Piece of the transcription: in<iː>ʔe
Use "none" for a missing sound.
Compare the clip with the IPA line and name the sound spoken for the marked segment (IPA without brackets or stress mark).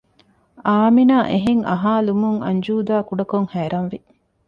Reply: aː